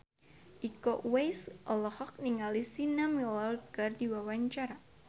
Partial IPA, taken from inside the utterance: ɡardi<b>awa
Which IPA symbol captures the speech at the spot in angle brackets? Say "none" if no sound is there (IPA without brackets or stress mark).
w